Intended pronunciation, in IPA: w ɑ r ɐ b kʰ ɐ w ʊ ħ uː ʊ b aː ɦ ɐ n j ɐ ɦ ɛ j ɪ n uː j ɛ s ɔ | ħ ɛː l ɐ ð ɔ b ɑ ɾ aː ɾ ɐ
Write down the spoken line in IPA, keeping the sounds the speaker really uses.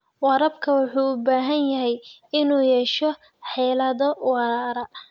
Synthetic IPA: w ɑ ɾ ɐ b kʰ ɐ w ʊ ħ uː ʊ b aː ɦ ɐ n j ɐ ɦ ɛ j ɪ n uː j ɛ ʃ ɔ | ħ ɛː l ɐ ð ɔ w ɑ ɾ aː ɾ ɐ